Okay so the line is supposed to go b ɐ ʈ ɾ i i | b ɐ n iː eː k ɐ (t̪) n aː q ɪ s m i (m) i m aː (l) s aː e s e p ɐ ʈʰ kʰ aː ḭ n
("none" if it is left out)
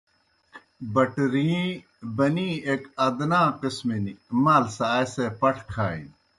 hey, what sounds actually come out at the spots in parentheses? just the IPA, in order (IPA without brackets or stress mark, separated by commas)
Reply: d̪, n, l